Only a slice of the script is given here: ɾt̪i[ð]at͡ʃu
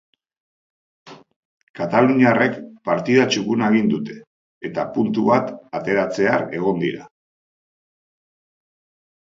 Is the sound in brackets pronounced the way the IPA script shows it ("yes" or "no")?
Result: yes